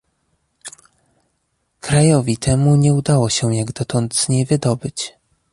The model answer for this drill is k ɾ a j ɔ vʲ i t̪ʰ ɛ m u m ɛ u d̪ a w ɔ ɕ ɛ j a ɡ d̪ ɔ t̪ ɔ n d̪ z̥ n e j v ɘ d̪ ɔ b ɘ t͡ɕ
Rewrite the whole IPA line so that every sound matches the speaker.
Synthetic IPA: k ɾ a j ɔ vʲ i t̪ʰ ɛ m u ɲ ɛ u d̪ a w ɔ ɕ ɛ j a ɡ d̪ ɔ t̪ ɔ n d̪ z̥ ɲ e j v ɘ d̪ ɔ b ɘ t͡ɕ

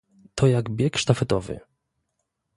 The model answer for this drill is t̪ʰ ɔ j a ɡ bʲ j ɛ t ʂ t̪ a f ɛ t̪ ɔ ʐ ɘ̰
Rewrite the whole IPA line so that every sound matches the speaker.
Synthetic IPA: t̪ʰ ɔ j a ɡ bʲ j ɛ k ʂ t̪ a f ɛ t̪ ɔ v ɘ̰

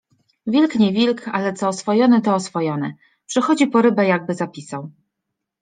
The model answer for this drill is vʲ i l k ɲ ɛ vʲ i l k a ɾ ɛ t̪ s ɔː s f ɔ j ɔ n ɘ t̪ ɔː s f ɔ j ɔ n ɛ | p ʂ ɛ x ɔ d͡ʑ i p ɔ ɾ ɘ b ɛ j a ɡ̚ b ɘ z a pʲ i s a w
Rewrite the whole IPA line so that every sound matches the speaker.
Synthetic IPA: vʲ i l k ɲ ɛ vʲ i l k a l ɛ t̪ s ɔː s f ɔ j ɔ n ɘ t̪ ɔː s f ɔ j ɔ n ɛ | p ʂ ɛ x ɔ d͡ʑ i p ɔ ɾ ɘ b ɛ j a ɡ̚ b ɘ z a pʲ i s a w

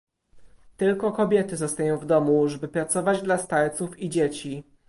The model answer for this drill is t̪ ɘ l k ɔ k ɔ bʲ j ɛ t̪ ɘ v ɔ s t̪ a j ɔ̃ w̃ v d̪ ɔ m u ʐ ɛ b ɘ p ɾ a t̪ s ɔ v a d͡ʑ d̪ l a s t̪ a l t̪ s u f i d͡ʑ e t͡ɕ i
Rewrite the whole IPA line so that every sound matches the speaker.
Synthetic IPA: t̪ ɘ l k ɔ k ɔ bʲ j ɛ t̪ ɘ z ɔ s t̪ a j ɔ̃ w̃ v d̪ ɔ m u ʐ ɛ b ɘ p ɾ a t̪ s ɔ v a d͡ʑ d̪ l a s t̪ a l t̪ s u f i d͡ʑ e t͡ɕ i

